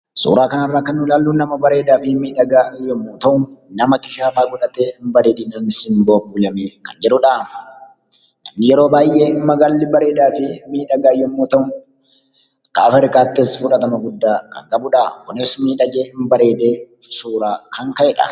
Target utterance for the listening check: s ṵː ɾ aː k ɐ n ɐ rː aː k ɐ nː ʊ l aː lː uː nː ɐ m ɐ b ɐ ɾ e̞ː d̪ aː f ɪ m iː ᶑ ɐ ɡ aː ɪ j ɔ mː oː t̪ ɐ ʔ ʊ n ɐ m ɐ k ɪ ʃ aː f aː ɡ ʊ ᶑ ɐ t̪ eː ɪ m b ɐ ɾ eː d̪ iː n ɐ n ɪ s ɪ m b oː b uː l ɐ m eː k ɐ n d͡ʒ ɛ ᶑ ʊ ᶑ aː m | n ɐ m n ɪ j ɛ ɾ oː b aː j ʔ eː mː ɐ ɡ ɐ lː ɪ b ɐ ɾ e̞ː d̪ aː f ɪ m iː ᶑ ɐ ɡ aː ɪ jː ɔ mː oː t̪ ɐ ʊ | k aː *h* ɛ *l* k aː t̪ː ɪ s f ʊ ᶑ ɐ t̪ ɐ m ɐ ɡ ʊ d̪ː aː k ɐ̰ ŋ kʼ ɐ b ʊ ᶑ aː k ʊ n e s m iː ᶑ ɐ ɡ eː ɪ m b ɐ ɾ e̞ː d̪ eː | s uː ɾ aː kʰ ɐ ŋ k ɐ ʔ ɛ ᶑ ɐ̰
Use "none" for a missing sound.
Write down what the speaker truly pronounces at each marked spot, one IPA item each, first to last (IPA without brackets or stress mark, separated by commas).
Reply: f, ɾ